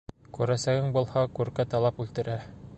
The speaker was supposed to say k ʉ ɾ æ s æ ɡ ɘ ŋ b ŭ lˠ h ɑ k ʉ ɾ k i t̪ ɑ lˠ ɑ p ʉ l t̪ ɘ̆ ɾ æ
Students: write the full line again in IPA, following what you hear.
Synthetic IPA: k ʉ ɾ æ s æ ɡ ɘ ŋ b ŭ lˠ h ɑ k ʉ ɾ k æ t̪ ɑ lˠ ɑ p ʉ l t̪ ɘ̆ ɾ æ